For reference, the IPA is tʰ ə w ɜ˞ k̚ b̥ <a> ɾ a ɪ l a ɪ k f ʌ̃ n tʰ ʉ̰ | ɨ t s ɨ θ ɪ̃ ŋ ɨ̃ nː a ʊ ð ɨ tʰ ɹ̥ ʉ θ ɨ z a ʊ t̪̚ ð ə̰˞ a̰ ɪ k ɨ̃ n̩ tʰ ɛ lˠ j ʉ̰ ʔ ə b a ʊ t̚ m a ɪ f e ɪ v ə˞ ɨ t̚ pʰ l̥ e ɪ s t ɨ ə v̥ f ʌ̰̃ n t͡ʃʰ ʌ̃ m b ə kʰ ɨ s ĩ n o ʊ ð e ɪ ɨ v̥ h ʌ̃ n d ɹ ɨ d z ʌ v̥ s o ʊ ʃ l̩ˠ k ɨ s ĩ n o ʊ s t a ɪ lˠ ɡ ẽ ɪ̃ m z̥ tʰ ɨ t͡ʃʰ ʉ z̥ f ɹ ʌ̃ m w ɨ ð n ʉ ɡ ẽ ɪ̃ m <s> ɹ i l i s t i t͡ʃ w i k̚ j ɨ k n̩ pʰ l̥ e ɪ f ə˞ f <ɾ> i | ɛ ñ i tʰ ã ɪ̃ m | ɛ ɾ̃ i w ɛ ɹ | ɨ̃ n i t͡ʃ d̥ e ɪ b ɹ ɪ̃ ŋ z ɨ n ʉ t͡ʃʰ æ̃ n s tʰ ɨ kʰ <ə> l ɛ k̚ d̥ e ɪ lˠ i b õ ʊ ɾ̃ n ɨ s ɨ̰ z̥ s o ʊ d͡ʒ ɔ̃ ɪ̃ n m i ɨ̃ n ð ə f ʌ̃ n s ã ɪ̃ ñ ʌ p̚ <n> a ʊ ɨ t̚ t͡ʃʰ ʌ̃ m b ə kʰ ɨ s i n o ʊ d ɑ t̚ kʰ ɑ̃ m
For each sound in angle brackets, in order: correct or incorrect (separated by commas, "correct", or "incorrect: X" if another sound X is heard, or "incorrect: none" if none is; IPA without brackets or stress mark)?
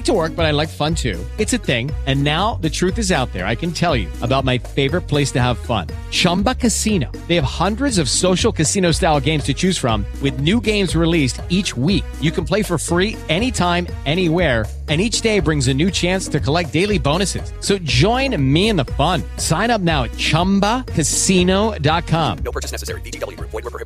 incorrect: ʌ, incorrect: z, incorrect: ɹ, correct, correct